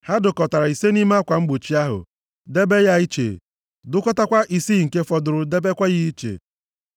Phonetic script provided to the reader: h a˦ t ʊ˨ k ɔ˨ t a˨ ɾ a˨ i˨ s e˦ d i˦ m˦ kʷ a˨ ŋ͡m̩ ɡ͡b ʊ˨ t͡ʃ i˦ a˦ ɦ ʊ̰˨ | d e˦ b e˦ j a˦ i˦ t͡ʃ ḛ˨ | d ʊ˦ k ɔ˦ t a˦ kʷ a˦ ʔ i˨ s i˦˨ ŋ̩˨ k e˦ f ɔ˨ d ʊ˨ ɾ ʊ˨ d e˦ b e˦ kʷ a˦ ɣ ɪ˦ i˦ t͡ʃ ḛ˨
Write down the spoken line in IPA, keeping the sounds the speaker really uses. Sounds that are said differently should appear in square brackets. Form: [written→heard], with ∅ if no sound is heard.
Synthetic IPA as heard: h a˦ [t→d] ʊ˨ k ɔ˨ t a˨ ɾ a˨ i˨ s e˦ [d→n] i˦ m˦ kʷ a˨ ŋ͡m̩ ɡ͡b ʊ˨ t͡ʃ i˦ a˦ ɦ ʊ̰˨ | d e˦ b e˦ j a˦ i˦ t͡ʃ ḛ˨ | d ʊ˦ k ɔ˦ t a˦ kʷ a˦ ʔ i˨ s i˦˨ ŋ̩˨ k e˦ f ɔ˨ d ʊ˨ ɾ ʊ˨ d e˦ b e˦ kʷ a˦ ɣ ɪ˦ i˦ t͡ʃ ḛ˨